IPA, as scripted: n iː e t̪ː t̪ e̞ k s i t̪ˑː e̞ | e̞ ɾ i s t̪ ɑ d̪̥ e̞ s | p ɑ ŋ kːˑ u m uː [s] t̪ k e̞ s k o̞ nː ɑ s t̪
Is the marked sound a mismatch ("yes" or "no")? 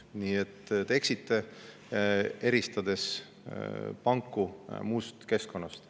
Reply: no